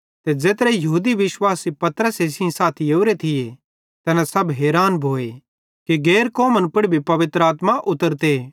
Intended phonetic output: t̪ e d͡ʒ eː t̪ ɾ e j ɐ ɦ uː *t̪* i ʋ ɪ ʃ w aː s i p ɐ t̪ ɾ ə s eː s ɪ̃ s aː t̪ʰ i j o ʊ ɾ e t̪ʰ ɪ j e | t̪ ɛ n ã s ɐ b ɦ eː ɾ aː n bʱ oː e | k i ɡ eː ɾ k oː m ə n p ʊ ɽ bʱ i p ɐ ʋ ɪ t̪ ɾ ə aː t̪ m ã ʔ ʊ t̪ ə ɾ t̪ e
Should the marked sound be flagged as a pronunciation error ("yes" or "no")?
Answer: yes